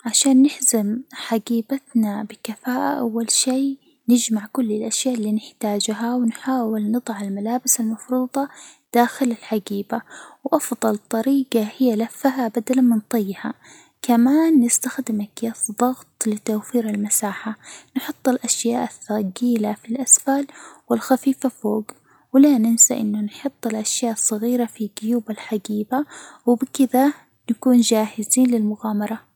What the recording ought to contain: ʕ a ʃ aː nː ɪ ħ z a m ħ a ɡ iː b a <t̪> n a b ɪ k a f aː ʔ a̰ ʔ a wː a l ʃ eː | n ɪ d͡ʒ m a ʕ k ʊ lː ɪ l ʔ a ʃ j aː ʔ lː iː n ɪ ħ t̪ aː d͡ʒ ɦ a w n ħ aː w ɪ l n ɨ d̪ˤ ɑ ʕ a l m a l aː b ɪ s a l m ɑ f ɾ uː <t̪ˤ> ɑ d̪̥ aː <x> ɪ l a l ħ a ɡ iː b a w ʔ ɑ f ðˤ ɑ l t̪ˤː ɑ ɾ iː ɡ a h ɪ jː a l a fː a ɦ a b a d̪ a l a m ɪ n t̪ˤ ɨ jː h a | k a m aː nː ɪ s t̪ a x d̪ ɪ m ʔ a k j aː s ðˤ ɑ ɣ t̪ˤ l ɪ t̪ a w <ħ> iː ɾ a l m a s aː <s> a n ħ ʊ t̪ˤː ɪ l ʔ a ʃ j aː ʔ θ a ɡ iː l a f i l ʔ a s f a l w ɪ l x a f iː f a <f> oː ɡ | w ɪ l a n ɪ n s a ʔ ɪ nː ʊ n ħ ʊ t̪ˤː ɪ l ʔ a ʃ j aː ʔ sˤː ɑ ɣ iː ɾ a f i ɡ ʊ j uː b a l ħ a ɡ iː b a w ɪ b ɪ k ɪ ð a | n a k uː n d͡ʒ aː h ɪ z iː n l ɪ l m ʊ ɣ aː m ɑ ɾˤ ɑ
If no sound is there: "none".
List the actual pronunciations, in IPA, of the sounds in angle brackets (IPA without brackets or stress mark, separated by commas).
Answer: t̪, d̪ˤ, x, f, ħ, f